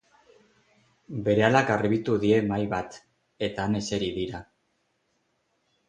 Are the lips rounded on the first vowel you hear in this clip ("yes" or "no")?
no